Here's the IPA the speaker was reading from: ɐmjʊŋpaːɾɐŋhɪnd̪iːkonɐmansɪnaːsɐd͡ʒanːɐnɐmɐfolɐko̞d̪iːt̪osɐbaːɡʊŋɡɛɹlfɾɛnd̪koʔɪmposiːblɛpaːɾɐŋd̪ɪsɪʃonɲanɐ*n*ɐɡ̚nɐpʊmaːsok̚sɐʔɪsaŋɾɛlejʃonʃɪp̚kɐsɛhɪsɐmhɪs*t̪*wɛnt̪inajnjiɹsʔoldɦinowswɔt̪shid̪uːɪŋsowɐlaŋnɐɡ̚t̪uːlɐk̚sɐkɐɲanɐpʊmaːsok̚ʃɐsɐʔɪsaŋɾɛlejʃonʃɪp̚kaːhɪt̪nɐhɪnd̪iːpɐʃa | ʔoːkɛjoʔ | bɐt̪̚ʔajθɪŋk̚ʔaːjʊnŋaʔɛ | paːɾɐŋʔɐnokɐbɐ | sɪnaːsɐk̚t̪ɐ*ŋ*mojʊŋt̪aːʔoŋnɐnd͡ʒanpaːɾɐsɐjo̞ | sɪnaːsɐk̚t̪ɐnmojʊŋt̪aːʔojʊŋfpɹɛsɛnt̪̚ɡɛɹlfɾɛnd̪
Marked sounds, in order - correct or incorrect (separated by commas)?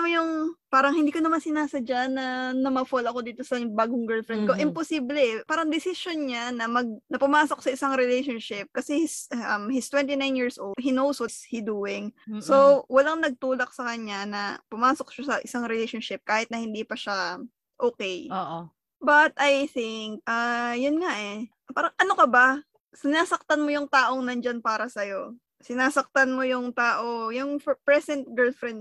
incorrect, correct, incorrect